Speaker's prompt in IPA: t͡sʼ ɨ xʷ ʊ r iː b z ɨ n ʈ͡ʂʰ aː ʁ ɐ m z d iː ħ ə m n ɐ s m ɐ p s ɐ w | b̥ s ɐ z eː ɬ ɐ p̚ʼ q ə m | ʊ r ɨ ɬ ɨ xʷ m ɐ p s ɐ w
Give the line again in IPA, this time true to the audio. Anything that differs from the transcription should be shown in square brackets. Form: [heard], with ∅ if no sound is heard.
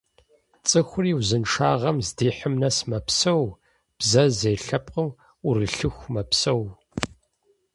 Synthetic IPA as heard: t͡sʼ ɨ xʷ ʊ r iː [w] z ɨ n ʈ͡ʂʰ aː ʁ ɐ m z d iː ħ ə m n ɐ s m ɐ p s ɐ w | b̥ [z] ɐ z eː ɬ ɐ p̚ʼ q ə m | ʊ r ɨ ɬ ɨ xʷ m ɐ p s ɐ w